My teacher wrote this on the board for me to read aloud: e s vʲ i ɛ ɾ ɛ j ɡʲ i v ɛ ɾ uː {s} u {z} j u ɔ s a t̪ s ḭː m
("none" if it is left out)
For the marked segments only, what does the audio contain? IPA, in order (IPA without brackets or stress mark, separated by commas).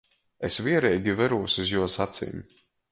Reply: s, z